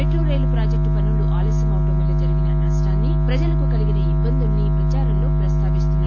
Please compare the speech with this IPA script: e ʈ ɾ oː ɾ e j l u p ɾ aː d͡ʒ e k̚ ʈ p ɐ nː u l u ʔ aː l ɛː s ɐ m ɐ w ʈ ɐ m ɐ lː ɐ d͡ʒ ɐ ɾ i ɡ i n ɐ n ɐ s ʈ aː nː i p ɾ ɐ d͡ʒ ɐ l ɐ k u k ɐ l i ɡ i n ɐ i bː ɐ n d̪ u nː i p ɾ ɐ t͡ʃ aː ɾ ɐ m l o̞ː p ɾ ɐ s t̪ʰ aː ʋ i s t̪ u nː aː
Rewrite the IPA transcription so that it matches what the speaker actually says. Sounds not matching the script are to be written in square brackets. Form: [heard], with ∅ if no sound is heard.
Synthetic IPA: e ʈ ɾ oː ɾ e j l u p ɾ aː d͡ʒ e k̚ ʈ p ɐ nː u l u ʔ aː l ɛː s ɐ m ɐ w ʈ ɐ m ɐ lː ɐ d͡ʒ ɐ ɾ i ɡ i n ɐ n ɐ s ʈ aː nː i p ɾ ɐ d͡ʒ ɐ l ɐ k u k ɐ l i ɡ i n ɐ i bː ɐ n d̪ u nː i p ɾ ɐ t͡ʃ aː ɾ ɐ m l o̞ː p ɾ ɐ s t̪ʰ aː ʋ i s t̪ u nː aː

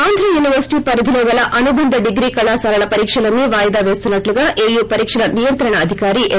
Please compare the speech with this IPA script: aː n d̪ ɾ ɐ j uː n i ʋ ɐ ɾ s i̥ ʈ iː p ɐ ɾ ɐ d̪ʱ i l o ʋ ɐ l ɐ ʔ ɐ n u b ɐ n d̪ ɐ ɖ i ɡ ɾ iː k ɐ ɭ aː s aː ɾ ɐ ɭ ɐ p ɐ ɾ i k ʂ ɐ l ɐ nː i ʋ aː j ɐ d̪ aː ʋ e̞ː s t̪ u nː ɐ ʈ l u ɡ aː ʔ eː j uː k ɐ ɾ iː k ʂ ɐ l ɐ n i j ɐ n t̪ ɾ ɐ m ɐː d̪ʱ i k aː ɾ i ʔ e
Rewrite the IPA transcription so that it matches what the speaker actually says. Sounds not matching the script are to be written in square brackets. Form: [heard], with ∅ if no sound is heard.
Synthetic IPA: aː n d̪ ɾ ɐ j uː n i ʋ ɐ ɾ s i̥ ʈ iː p ɐ ɾ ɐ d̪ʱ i l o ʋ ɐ l ɐ ʔ ɐ n u b ɐ n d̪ ɐ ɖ i ɡ ɾ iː k ɐ ɭ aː s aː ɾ ɐ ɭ ɐ p ɐ ɾ [iː] k ʂ ɐ l ɐ nː i ʋ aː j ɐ d̪ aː ʋ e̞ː s t̪ u nː ɐ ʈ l u ɡ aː ʔ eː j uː [p] ɐ ɾ iː k ʂ ɐ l ɐ n i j ɐ n t̪ ɾ ɐ [ɳ] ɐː d̪ʱ i k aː ɾ i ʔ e

